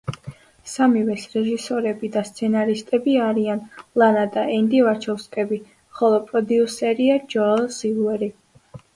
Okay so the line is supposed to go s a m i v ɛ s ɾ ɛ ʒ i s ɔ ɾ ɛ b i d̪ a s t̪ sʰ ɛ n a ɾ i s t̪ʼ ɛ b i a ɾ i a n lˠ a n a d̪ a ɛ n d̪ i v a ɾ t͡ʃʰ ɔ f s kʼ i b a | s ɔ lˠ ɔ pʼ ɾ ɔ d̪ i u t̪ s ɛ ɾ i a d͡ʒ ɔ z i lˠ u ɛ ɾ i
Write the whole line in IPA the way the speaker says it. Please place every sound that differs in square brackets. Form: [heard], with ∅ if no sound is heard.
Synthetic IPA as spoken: s a m i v ɛ s ɾ ɛ ʒ i s ɔ ɾ ɛ b i d̪ a s t̪ sʰ ɛ n a ɾ i s t̪ʼ ɛ b i a ɾ i a n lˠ a n a d̪ a ɛ n d̪ i v a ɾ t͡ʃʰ ɔ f s kʼ [ɛ] b [i] | [χ] ɔ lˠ ɔ pʼ ɾ ɔ d̪ i u [∅] s ɛ ɾ i a d͡ʒ ɔ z i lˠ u ɛ ɾ i